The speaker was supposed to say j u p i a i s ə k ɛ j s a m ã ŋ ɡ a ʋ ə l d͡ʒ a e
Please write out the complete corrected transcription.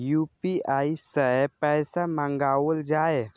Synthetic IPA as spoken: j u p i a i s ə p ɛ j s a m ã ŋ ɡ a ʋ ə l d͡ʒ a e